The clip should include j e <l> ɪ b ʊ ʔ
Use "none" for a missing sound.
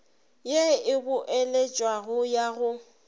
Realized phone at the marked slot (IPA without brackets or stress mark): none